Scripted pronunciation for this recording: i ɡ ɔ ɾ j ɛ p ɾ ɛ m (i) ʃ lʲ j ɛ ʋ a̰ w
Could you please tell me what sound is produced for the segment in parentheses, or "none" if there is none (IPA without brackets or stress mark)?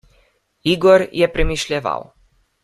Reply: i